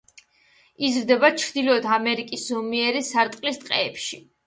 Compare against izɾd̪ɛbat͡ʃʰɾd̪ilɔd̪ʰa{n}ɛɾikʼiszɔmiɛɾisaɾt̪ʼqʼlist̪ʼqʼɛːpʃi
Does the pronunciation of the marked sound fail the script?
yes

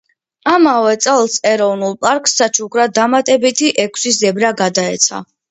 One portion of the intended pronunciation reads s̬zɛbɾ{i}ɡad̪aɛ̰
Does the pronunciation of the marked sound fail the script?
yes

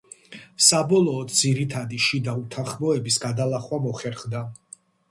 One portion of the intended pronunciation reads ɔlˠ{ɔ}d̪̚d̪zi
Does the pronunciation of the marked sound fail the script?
yes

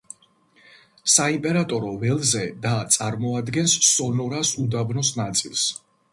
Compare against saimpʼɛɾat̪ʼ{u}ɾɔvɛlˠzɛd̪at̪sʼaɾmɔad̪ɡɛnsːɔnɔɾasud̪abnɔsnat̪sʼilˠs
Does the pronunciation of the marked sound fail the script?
yes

